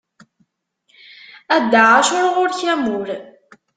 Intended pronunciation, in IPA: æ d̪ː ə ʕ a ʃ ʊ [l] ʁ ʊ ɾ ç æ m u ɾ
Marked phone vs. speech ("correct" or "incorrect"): incorrect